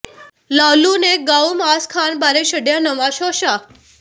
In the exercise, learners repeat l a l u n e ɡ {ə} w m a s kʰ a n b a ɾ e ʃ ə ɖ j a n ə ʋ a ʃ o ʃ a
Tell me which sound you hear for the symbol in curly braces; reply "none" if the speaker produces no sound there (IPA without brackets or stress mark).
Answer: a